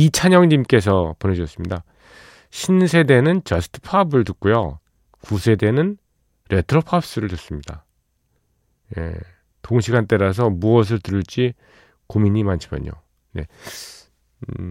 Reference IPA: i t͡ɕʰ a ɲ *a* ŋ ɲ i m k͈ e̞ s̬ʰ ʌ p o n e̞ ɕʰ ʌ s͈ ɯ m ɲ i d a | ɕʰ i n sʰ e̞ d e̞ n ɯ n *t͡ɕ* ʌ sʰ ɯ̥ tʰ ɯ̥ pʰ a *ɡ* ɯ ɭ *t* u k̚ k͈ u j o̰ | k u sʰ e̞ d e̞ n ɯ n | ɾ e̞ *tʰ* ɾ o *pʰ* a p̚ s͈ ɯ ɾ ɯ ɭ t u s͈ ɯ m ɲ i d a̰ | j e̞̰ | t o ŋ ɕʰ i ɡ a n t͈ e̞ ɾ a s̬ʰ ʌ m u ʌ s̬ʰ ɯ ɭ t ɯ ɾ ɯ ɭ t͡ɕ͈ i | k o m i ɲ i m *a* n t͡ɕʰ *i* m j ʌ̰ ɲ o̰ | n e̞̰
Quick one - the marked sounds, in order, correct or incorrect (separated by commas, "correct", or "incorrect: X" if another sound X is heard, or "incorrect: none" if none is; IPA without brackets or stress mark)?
incorrect: ʌ, correct, incorrect: b, correct, correct, correct, correct, correct